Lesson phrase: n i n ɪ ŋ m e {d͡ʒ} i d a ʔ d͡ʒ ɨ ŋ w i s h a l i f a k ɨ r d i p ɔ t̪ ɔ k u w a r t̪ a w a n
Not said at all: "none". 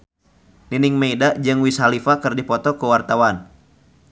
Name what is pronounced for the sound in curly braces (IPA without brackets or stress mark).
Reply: none